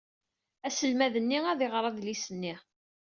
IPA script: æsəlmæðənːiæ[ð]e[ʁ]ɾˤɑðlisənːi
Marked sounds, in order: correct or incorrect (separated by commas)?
correct, correct